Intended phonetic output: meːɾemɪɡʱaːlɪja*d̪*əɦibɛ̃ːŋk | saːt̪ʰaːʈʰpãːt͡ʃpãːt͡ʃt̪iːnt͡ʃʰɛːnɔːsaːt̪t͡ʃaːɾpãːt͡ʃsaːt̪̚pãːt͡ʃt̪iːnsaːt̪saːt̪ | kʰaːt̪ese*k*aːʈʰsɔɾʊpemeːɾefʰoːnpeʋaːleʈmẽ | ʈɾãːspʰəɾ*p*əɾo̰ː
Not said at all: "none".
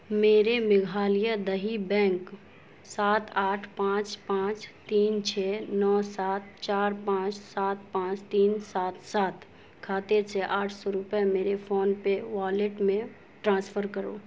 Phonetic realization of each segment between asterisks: d̪, ʔ, k

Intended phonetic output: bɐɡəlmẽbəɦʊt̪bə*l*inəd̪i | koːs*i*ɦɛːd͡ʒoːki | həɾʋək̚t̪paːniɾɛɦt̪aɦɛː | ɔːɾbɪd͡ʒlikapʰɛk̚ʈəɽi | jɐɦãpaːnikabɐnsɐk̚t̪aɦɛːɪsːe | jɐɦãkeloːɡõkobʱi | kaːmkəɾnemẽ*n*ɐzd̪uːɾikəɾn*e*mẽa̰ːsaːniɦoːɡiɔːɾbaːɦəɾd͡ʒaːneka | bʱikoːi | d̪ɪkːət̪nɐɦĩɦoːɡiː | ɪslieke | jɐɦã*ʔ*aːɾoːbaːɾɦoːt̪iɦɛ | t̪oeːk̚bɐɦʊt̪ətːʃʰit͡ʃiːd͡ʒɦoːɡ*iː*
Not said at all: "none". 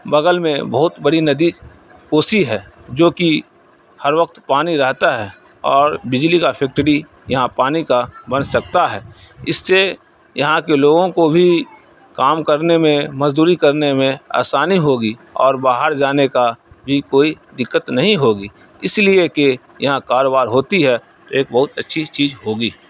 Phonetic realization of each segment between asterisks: ɽ, i, m, e, k, iː

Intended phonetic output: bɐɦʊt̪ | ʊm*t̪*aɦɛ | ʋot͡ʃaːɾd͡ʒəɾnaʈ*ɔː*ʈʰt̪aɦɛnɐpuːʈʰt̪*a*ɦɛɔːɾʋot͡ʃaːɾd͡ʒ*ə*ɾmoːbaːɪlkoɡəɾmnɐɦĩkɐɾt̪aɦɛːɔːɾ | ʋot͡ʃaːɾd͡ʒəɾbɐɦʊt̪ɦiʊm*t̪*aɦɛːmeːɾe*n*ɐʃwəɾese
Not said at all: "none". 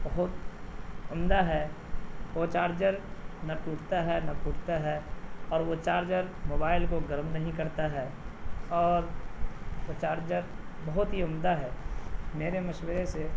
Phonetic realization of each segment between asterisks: d̪, uː, a, ə, d̪, m

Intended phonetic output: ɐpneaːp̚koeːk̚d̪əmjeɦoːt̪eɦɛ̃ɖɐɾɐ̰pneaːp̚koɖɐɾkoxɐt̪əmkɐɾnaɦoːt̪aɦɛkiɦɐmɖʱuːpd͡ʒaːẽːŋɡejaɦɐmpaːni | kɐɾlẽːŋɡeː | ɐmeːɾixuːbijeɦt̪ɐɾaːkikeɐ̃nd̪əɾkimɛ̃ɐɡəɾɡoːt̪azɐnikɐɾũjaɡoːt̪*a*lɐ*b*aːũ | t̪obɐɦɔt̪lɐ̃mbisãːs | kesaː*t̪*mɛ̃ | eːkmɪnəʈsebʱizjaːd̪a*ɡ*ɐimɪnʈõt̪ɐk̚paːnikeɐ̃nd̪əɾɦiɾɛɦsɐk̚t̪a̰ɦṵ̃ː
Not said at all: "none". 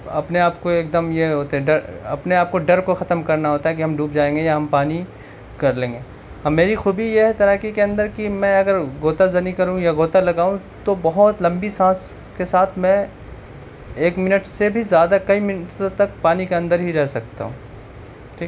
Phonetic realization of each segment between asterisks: a, ɡ, t̪ʰ, k

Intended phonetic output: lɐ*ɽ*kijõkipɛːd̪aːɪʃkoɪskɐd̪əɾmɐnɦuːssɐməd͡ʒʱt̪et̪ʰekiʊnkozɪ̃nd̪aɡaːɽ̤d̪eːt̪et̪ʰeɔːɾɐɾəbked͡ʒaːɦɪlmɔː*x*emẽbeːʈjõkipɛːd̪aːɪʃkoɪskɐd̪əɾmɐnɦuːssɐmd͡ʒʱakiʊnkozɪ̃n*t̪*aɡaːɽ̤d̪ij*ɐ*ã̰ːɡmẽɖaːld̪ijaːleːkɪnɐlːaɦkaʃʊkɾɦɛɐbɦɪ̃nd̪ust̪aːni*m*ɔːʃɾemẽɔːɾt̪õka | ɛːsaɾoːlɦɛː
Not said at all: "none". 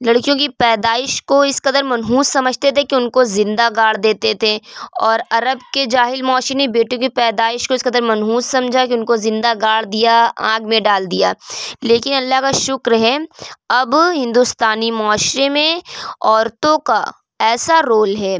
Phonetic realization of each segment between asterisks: ɽ, ʃ, d̪, a, m

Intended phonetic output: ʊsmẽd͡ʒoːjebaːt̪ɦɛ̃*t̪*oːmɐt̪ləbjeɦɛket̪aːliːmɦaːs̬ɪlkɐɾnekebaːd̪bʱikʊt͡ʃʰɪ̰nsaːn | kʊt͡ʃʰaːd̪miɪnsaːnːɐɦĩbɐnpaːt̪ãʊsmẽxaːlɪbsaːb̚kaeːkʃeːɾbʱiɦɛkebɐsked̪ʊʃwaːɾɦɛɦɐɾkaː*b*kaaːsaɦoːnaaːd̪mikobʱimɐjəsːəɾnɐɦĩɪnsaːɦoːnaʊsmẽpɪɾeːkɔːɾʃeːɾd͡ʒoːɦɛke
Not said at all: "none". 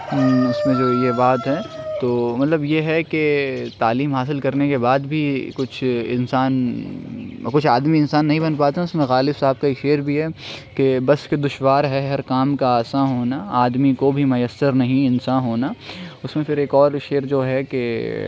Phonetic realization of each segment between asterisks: t̪, m

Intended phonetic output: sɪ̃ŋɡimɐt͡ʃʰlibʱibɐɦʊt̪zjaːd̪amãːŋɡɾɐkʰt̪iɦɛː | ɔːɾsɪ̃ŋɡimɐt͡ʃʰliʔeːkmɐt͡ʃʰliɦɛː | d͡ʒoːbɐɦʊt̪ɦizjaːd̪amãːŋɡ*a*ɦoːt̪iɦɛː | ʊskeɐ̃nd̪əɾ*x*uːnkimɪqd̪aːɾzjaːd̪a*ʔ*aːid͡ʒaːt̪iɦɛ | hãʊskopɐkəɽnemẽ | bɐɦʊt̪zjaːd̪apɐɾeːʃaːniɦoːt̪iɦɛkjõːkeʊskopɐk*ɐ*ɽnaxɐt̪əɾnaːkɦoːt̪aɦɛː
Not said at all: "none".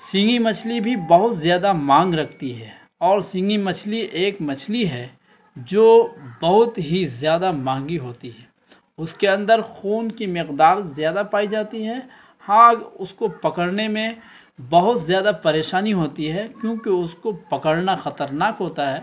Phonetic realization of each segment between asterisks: i, x, p, ə

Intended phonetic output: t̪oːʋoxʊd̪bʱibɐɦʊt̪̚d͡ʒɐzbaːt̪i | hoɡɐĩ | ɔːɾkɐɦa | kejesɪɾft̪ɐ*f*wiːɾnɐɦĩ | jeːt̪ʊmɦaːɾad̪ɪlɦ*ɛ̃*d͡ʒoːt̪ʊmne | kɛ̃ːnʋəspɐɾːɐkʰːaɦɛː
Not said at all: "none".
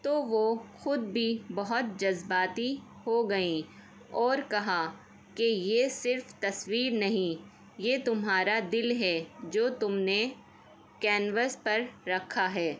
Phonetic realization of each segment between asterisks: s, ɛ

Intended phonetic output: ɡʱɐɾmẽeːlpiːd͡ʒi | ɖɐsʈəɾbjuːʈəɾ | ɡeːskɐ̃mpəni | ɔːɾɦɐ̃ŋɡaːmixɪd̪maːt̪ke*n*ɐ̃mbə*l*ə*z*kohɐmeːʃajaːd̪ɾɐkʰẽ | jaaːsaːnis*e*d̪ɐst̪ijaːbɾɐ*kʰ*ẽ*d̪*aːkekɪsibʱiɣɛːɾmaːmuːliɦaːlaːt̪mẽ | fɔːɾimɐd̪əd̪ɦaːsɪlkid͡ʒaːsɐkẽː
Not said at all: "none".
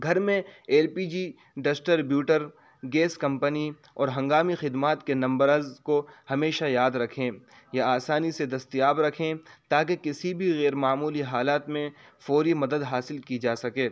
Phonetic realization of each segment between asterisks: n, ɾ, z, e, kʰ, t̪

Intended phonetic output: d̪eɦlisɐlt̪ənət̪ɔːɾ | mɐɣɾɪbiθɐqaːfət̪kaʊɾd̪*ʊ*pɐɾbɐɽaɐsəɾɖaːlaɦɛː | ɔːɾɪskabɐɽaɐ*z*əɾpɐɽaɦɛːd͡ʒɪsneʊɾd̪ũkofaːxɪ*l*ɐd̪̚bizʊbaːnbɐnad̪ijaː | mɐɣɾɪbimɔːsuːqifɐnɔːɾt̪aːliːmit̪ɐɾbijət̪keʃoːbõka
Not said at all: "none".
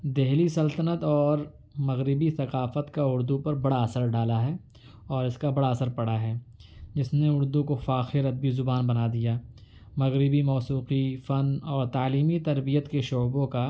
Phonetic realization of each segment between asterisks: u, s, ɾ

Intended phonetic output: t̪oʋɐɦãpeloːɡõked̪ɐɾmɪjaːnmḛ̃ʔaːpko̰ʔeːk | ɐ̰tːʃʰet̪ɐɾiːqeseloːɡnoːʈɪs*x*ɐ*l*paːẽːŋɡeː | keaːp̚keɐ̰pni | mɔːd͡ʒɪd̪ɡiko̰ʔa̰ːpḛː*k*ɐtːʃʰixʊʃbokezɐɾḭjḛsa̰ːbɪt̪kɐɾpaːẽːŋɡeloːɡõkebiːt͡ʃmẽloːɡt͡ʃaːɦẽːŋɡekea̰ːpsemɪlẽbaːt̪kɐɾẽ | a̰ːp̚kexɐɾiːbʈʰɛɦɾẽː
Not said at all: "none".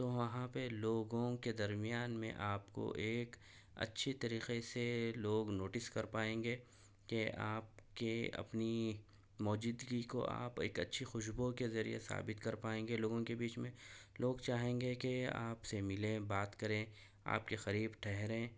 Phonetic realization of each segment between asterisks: k, ɾ, k

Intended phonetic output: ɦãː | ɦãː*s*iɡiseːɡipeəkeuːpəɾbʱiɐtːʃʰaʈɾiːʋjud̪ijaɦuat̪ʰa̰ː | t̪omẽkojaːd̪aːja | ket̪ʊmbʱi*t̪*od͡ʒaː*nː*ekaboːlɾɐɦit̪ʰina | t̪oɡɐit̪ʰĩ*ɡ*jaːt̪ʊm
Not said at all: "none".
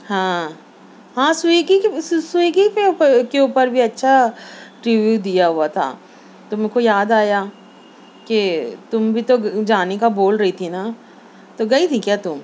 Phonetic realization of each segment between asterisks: s, t̪, n, k

